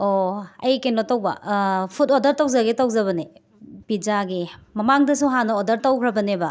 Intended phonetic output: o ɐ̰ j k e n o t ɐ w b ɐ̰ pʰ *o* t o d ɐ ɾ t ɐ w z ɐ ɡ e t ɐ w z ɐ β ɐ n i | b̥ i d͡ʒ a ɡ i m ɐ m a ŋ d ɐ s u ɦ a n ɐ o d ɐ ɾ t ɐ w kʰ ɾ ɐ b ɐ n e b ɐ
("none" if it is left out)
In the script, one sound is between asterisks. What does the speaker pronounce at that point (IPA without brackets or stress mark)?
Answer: u